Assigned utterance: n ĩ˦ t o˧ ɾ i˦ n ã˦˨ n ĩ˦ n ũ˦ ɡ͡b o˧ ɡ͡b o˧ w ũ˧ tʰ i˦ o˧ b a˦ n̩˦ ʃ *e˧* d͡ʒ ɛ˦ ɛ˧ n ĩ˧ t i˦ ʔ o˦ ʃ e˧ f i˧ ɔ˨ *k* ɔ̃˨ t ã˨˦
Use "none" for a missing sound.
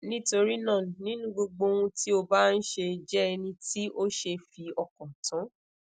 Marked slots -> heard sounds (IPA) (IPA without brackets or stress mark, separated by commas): e˧, k